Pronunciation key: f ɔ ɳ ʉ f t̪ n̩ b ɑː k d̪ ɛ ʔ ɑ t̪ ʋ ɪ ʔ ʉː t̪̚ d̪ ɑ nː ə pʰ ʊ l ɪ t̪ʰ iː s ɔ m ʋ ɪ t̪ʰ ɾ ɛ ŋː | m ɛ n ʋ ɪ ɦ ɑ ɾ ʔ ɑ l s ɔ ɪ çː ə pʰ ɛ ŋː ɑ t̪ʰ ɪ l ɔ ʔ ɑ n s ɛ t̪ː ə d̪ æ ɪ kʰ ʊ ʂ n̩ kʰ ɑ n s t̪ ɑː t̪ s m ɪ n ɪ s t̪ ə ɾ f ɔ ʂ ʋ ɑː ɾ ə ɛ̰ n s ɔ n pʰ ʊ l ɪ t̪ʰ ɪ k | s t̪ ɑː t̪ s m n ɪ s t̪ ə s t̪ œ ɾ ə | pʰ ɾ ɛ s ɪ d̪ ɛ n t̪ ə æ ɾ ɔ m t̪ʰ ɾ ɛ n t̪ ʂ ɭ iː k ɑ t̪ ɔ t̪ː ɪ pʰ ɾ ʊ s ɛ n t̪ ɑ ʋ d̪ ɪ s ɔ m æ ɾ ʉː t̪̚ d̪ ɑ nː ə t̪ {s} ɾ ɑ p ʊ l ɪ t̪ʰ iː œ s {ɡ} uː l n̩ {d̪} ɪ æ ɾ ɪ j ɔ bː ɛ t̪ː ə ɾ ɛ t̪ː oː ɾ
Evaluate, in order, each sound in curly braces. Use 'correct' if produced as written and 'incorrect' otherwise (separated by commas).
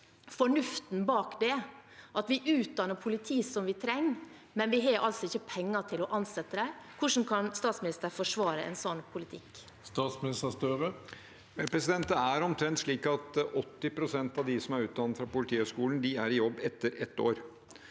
incorrect, incorrect, correct